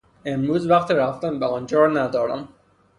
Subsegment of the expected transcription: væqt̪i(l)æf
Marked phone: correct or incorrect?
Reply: incorrect